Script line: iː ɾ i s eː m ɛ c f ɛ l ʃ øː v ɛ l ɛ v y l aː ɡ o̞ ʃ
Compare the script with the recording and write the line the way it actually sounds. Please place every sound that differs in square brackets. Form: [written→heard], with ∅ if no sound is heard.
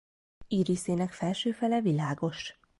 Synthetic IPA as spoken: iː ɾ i s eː [m→n] ɛ [c→k] f ɛ l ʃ øː [v→f] ɛ l ɛ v [y→i] l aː ɡ o̞ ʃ